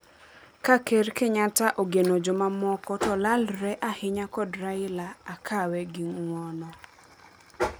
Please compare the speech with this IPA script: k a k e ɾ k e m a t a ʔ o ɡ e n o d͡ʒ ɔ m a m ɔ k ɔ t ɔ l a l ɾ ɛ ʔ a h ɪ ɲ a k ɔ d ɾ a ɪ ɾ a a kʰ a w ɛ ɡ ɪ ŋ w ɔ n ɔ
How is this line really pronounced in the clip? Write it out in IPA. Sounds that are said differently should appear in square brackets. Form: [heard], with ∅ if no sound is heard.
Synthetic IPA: k a k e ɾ k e [ɲ] a t a ʔ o ɡ e n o d͡ʒ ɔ m a m ɔ k ɔ t ɔ l a l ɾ ɛ ʔ a h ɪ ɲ a k ɔ d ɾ a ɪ [l] a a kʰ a w ɛ ɡ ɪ ŋ w ɔ n ɔ